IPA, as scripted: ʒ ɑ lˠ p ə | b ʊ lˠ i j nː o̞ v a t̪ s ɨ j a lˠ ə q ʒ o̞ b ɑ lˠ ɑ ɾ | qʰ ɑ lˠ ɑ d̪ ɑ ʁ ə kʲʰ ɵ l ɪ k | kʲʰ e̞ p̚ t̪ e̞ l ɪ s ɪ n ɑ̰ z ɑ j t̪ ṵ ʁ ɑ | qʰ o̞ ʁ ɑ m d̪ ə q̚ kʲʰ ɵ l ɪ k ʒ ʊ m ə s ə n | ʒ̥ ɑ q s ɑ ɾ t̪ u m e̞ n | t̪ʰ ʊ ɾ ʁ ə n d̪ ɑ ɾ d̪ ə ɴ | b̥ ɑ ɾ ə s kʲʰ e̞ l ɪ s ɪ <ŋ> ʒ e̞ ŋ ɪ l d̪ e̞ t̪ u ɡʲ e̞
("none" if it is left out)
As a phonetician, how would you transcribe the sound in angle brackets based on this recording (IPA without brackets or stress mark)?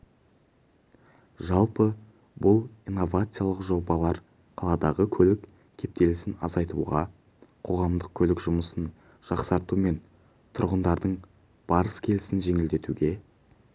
n